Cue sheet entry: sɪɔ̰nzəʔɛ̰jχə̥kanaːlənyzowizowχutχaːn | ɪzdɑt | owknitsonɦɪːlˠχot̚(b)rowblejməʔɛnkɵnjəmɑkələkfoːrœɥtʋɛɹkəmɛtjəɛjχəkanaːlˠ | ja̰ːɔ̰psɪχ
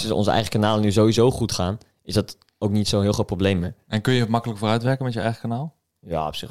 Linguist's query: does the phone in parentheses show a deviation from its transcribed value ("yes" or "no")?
yes